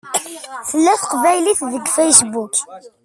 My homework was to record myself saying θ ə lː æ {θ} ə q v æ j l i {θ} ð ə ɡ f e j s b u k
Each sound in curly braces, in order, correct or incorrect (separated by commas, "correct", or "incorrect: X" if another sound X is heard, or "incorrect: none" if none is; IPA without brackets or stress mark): correct, correct